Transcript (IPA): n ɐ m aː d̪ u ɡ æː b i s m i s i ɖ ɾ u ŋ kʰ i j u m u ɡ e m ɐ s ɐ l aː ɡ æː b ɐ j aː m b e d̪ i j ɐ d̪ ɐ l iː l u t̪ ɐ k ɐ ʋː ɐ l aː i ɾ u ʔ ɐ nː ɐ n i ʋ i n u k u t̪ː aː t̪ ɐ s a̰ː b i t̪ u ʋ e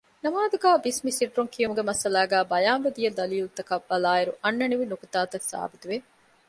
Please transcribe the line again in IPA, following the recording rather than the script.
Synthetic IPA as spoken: n ɐ m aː d̪ u ɡ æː b i s m i s i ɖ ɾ u ŋ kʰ i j u m u ɡ e m ɐ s ɐ l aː ɡ æː b ɐ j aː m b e d̪ i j ɐ d̪ ɐ l iː l u t̪ ɐ k ɐ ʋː ɐ l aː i ɾ u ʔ ɐ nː ɐ n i ʋ i n u k u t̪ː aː t̪ ɐ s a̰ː b i t̪ u ʋ e